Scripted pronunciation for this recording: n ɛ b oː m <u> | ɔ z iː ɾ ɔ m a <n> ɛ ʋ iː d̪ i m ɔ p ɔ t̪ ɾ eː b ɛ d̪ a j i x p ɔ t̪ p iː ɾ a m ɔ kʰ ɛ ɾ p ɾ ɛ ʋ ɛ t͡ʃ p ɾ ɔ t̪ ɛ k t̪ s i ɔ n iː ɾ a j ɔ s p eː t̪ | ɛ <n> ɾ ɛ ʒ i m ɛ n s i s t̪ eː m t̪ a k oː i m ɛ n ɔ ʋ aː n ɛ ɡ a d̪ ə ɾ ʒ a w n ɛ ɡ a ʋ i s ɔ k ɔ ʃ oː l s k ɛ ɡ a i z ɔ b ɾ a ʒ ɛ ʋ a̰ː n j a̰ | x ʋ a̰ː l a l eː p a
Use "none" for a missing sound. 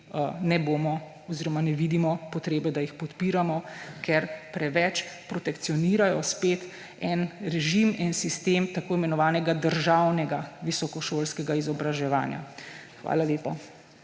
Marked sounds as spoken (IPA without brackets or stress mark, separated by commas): ɔ, n, n